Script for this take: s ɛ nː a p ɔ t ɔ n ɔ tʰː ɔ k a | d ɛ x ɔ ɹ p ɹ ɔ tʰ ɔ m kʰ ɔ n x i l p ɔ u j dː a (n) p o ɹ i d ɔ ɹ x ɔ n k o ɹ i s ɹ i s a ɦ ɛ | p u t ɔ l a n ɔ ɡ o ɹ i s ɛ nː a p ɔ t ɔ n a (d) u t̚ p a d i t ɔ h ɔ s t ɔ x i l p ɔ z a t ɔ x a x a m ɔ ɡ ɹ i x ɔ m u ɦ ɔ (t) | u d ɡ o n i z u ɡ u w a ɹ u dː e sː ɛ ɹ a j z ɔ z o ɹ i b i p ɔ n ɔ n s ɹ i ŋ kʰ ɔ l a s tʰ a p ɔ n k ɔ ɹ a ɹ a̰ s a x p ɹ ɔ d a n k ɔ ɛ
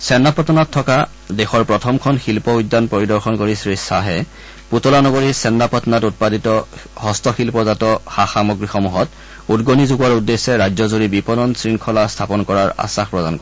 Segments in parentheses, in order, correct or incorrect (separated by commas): correct, incorrect, correct